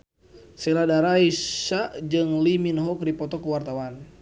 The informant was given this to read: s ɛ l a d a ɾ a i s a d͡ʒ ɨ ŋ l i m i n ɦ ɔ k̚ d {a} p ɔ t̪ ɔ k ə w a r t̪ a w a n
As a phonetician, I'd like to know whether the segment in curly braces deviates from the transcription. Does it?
yes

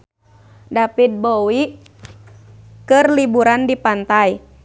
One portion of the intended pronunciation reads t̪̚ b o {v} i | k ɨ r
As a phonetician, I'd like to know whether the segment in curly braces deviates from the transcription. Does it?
yes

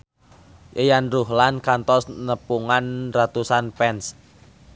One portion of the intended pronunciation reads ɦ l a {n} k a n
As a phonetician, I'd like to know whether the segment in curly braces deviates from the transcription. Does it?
no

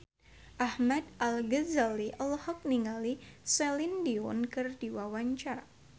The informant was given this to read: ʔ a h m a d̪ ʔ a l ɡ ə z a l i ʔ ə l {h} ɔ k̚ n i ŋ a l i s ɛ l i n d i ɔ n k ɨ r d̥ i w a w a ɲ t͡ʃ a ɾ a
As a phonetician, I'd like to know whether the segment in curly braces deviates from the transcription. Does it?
no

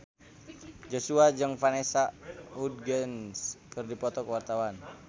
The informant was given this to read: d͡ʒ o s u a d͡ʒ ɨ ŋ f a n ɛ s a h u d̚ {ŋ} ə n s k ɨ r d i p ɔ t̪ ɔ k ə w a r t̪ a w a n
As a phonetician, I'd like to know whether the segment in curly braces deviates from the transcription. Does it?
yes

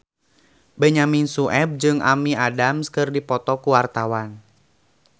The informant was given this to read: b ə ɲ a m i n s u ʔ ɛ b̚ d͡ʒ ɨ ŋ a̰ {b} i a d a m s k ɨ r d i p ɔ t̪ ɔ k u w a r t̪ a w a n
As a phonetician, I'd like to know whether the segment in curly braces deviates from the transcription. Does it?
yes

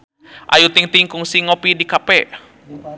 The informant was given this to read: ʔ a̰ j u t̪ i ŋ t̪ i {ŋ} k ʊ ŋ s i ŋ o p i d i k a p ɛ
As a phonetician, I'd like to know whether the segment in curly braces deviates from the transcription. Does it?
no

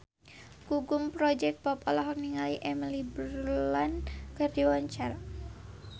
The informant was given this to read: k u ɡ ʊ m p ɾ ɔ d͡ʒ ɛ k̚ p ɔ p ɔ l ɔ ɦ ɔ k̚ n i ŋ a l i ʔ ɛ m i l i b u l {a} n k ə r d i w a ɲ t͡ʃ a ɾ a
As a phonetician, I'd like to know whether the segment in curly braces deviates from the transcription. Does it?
no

